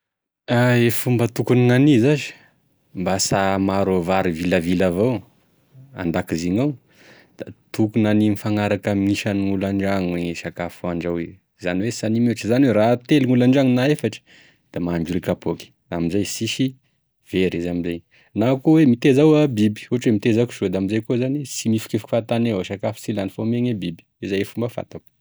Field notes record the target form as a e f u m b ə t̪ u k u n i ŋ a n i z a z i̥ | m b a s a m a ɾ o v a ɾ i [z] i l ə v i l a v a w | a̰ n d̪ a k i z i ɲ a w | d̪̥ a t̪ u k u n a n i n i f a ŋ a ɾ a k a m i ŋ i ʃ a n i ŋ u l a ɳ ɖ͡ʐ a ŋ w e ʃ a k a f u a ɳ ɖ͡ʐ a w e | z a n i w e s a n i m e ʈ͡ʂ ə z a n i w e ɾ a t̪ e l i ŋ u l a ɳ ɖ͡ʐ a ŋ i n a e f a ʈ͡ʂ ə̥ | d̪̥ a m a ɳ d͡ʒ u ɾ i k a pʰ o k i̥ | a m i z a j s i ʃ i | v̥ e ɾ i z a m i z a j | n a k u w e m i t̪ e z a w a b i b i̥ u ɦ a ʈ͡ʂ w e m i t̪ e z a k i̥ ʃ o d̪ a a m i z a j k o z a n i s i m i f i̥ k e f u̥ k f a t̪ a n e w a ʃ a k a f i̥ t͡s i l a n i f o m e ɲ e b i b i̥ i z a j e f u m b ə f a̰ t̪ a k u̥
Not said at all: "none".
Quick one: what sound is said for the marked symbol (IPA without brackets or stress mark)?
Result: v